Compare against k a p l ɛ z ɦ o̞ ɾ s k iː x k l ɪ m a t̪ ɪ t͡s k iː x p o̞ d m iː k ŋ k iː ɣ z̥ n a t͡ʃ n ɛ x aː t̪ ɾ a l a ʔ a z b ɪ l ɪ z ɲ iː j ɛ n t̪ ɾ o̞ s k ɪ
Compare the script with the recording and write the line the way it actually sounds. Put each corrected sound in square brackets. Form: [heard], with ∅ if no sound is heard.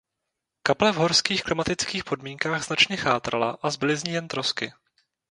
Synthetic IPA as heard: k a p l ɛ [v] ɦ o̞ ɾ s k iː x k l ɪ m a t̪ ɪ t͡s k iː x p o̞ d m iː [∅] ŋ k [aː] ɣ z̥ n a t͡ʃ [ɲ] ɛ x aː t̪ ɾ a l a ʔ a z b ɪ l ɪ z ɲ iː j ɛ n t̪ ɾ o̞ s k ɪ